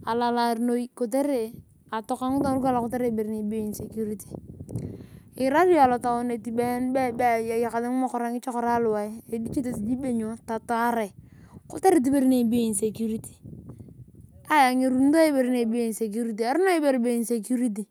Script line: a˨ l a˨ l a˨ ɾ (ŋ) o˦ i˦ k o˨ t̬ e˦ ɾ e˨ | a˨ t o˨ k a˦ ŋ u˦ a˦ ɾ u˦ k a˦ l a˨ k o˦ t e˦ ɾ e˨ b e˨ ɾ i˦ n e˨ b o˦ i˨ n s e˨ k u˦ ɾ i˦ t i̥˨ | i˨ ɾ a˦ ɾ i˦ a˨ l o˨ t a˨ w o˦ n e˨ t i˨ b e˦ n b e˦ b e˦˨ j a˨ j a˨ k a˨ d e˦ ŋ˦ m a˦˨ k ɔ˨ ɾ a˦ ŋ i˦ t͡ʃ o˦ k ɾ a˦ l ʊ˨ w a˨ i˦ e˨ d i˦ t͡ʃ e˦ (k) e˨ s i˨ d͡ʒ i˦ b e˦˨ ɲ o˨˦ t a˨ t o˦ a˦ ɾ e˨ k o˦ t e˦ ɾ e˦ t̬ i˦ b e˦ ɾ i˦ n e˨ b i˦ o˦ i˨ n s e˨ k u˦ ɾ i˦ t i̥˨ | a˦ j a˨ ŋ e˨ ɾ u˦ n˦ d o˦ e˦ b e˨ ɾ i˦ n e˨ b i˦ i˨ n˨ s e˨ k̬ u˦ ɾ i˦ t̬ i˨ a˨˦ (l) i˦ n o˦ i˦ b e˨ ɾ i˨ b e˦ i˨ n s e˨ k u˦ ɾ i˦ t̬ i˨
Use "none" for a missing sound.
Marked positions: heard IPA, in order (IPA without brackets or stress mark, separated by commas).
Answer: n, t, ɾ